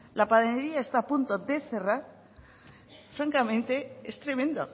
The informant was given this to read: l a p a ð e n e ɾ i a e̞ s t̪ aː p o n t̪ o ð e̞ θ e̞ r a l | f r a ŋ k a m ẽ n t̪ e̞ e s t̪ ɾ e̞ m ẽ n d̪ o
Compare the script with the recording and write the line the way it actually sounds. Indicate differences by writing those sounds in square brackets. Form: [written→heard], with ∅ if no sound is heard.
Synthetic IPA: l a p a ð e n e ɾ i a e̞ s t̪ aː p [o→u] n t̪ o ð e̞ θ e̞ r a [l→ɾ] | f [r→ɾ] a ŋ k a m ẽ n t̪ e̞ e s t̪ ɾ e̞ m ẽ n d̪ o